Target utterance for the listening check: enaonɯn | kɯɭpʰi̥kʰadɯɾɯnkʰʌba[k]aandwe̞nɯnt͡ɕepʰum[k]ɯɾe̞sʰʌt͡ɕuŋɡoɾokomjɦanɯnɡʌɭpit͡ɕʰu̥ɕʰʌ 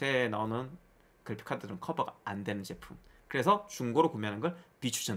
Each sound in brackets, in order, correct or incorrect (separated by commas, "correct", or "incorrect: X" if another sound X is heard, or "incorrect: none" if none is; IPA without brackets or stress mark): incorrect: ɡ, correct